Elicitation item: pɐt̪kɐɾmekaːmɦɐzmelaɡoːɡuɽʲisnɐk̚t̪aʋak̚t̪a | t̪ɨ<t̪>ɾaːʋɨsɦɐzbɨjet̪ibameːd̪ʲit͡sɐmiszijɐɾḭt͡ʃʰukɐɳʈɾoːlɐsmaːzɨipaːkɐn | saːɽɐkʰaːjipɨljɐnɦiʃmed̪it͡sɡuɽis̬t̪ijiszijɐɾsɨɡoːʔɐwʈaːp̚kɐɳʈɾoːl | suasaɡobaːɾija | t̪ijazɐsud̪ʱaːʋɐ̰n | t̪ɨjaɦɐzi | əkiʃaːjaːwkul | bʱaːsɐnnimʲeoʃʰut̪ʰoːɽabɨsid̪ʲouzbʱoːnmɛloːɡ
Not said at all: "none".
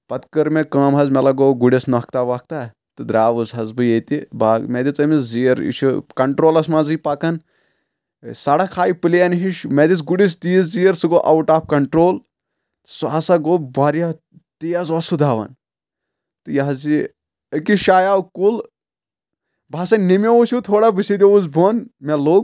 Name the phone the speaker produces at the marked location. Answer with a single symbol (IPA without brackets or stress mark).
d̪